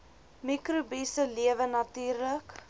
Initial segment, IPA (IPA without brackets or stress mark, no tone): m